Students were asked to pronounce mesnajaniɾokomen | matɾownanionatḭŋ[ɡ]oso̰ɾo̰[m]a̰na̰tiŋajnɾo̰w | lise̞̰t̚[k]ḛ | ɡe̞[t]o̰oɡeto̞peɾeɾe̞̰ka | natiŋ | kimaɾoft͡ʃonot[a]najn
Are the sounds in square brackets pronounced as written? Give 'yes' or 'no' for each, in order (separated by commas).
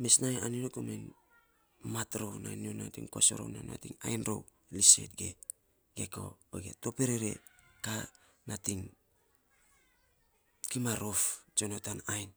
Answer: no, no, no, no, yes